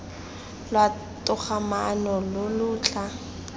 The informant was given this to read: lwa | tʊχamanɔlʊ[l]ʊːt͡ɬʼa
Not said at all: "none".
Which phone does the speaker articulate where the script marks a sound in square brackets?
l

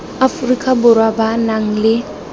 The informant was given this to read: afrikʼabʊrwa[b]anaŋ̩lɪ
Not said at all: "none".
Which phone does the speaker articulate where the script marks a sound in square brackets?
b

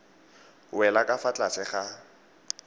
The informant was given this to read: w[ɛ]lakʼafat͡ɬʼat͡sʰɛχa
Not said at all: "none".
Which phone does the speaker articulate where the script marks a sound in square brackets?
ɛ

